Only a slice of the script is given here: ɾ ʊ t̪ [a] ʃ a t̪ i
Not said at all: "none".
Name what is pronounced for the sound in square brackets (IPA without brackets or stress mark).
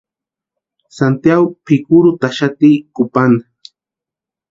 a